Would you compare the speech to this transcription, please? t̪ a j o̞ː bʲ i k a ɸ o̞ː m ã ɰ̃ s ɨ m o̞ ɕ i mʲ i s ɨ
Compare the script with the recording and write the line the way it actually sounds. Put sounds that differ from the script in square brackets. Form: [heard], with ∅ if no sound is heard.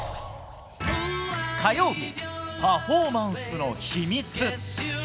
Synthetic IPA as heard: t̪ a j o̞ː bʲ i [p] a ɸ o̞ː m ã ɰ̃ s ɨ [n] o̞ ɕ i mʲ i [t͡s] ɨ